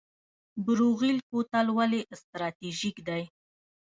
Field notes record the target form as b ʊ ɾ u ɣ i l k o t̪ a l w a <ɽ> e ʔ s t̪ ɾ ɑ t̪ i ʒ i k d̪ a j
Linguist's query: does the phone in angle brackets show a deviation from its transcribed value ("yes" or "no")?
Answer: yes